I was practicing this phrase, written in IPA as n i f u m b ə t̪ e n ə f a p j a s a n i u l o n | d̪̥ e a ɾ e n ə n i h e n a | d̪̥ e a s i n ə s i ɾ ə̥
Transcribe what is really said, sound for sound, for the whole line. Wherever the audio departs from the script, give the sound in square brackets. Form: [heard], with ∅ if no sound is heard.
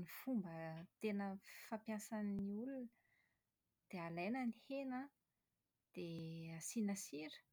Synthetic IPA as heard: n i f u m b ə t̪ e n ə f a p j a s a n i u l [u] n | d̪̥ e a [l] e n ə n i h e n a | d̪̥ e a s i n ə s i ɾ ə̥